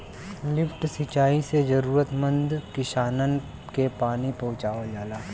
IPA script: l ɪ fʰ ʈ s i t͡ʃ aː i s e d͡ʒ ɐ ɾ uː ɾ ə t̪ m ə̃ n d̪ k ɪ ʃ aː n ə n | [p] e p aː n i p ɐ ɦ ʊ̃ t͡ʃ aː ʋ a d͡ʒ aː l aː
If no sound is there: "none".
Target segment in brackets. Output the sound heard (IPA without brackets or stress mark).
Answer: k